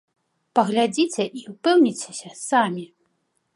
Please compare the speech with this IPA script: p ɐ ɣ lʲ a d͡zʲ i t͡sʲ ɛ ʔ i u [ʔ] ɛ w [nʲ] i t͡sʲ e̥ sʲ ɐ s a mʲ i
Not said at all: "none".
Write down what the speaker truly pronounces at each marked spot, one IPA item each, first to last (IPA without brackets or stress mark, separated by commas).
p, nʲ